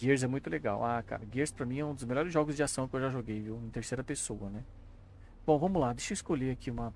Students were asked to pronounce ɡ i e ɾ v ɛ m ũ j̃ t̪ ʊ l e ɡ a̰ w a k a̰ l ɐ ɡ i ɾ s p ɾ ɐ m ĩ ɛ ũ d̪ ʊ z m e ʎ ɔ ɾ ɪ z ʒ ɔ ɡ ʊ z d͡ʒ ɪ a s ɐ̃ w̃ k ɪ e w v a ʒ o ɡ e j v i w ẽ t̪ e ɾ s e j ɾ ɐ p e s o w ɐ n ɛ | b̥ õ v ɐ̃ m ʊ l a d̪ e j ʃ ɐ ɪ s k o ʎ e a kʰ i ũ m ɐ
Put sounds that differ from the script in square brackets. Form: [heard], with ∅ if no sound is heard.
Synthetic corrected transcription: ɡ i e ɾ [z] ɛ m ũ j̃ t̪ ʊ l e ɡ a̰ w a k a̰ [ɾ] ɐ ɡ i ɾ s p ɾ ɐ m ĩ ɛ ũ d̪ ʊ z m e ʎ ɔ ɾ ɪ z ʒ ɔ ɡ ʊ z d͡ʒ ɪ a s ɐ̃ w̃ k ɪ e w [ʒ] a ʒ o ɡ e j v i w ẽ t̪ e ɾ s e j ɾ ɐ p e s o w ɐ n ɛ | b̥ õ v ɐ̃ m ʊ l a d̪ e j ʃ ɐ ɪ s k o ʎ e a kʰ i ũ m ɐ